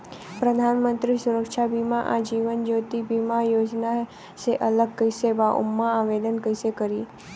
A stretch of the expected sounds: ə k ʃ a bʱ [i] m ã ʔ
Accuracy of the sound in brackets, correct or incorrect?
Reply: correct